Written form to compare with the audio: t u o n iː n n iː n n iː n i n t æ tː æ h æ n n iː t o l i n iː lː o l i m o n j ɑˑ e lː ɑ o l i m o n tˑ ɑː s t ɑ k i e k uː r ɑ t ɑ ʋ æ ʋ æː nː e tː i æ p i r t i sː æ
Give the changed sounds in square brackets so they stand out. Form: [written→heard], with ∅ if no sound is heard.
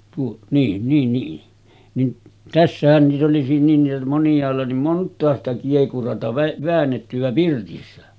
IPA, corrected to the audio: t u o n iː n n iː n n iː n i n t æ [tː→sː] æ h æ n n iː t o l i n iː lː o l i m o n j ɑˑ e lː ɑ o l i m o n tˑ ɑː s t ɑ k i e k [uː→u] r ɑ t ɑ ʋ æ ʋ æː nː e tː [i→y] æ p i r t i sː æ